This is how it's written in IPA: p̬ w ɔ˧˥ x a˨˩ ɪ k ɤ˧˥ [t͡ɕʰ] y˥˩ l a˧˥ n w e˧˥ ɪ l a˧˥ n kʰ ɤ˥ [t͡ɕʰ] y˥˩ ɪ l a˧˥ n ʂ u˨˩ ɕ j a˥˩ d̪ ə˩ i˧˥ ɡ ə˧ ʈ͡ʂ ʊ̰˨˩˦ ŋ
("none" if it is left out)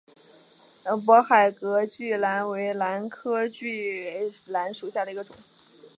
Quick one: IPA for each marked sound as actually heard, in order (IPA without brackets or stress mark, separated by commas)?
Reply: t͡ɕ, t͡ɕ